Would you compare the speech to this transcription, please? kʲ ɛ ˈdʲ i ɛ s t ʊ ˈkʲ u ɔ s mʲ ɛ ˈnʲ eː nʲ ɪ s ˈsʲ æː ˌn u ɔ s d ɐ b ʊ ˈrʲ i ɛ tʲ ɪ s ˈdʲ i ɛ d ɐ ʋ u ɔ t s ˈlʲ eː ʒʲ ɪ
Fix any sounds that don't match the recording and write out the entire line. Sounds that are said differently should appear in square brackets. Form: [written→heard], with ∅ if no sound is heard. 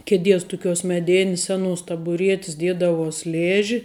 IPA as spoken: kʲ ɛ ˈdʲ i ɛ s t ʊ ˈkʲ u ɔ s mʲ ɛ [ˈnʲ→ˈdʲ] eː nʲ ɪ s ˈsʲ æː ˌn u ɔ s [d→t] ɐ b ʊ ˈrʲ i ɛ tʲ ɪ s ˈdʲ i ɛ d ɐ ʋ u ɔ [t→∅] s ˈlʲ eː ʒʲ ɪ